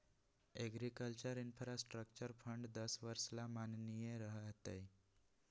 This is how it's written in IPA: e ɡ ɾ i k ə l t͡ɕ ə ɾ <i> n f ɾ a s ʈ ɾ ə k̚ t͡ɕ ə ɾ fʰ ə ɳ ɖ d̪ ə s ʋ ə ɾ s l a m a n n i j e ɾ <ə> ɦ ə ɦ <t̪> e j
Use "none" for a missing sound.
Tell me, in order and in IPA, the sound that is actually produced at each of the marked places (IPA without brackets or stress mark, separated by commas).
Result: i, ə, t̪